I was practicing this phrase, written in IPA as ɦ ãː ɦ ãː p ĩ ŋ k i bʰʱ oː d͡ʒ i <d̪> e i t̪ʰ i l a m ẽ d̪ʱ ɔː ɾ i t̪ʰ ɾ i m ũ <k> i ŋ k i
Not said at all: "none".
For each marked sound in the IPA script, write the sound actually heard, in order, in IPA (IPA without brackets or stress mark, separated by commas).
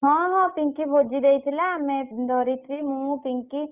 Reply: d̪, p